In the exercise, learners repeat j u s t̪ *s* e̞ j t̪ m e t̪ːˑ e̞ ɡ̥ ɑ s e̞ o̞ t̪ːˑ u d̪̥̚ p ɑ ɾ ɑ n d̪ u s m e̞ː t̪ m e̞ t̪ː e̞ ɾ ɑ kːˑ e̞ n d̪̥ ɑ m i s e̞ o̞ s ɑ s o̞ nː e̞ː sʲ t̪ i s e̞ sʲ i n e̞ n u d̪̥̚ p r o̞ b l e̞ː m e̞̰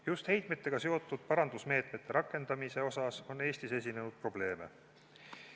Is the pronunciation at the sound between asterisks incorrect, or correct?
incorrect: h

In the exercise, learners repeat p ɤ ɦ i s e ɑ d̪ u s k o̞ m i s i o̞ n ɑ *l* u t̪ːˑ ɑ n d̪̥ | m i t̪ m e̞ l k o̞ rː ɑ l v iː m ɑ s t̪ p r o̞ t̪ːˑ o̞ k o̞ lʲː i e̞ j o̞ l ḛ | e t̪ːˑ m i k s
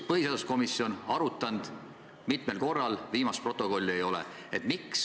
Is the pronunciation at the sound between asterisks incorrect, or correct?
incorrect: ɾ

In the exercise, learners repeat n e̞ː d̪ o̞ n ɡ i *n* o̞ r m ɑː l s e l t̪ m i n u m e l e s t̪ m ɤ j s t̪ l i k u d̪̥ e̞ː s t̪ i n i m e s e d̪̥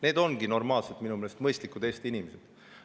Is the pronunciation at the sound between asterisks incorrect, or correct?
correct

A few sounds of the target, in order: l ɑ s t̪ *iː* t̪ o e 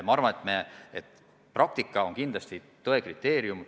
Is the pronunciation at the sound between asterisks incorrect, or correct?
incorrect: i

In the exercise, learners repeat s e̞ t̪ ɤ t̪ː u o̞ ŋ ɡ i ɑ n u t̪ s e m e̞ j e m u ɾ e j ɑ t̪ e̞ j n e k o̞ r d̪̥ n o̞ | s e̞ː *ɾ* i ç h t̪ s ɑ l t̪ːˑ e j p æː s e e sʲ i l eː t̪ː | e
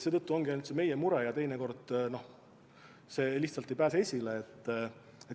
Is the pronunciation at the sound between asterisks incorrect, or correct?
incorrect: l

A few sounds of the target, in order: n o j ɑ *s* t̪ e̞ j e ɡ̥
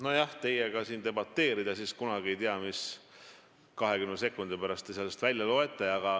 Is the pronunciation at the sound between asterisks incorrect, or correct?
incorrect: h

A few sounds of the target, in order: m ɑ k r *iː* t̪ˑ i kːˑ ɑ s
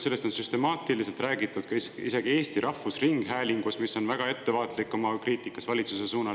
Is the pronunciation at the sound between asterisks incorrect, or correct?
correct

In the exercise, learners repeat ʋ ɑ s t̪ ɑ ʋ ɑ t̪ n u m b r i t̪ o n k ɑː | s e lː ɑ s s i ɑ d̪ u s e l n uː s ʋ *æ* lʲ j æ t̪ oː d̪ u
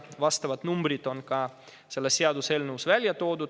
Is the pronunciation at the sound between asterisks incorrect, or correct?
correct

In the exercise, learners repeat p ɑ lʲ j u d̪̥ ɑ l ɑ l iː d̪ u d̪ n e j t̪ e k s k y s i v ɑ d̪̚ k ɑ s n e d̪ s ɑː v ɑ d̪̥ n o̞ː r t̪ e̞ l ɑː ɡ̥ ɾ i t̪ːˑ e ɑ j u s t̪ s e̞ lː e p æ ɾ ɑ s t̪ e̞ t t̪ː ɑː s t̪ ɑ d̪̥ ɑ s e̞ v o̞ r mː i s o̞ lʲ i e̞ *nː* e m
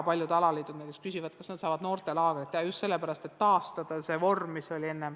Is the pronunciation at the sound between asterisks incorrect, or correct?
correct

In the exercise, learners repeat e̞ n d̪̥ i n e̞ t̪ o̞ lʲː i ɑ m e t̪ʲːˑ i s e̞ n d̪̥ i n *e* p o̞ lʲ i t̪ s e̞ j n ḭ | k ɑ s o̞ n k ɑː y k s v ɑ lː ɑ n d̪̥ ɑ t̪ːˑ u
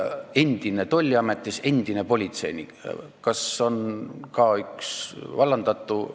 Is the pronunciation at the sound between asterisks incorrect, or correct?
correct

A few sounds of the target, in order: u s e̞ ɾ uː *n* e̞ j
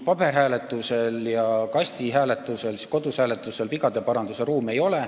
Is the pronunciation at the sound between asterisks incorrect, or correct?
incorrect: m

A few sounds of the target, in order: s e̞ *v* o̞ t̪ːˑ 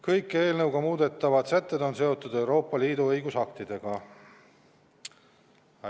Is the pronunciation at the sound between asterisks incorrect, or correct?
incorrect: none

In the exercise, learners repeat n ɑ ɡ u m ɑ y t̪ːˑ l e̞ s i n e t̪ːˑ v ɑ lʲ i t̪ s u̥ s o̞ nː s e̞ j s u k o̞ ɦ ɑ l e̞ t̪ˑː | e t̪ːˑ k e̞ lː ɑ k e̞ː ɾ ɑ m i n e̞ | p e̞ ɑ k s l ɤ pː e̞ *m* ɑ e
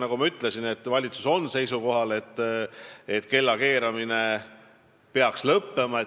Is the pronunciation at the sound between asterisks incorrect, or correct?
correct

